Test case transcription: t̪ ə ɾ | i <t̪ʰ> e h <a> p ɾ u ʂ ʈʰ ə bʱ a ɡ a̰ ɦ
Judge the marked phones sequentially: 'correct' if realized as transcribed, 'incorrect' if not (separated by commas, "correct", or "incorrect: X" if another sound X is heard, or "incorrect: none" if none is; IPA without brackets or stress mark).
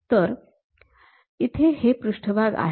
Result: correct, incorrect: e